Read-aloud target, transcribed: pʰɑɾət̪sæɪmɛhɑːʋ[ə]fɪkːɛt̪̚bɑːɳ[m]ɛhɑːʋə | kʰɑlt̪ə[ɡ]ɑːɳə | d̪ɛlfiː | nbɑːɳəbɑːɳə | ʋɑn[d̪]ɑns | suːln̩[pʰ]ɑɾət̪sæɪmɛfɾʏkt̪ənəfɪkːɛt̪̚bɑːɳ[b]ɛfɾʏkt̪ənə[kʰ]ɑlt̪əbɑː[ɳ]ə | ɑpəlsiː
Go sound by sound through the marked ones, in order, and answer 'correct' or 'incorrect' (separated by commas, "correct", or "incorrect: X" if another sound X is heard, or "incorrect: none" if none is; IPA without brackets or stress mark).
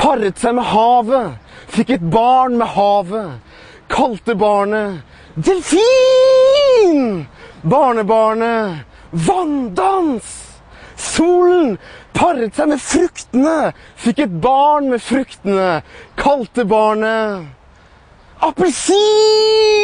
correct, correct, incorrect: b, correct, correct, incorrect: m, correct, correct